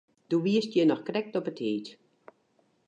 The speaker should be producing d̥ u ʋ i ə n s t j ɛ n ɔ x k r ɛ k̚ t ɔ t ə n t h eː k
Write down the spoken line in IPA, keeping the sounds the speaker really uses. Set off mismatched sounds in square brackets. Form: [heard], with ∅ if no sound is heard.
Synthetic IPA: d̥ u ʋ i ə [∅] s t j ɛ n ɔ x k r ɛ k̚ t ɔ [p] ə [∅] t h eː [t]